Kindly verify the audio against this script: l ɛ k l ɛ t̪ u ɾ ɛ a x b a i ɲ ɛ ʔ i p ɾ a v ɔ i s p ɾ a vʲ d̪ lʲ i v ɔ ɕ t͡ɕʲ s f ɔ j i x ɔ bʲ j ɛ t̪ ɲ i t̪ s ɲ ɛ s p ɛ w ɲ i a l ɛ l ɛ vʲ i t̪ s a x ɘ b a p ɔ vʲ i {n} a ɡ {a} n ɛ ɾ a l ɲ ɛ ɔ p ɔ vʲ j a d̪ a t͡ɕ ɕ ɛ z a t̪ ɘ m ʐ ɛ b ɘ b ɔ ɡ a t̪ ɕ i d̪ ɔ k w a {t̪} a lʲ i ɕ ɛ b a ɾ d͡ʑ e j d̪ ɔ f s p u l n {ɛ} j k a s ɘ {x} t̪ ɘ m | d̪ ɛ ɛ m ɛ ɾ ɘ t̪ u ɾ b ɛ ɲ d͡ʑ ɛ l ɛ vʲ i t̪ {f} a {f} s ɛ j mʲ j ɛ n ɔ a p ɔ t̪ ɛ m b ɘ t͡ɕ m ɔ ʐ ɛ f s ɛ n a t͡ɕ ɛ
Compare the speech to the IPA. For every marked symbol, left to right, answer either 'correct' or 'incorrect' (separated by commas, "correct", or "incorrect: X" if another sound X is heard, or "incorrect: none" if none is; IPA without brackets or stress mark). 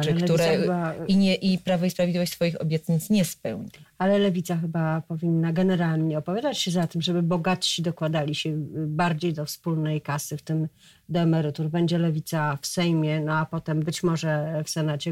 incorrect: nː, incorrect: ɛ, incorrect: d̪, correct, incorrect: f, incorrect: s, correct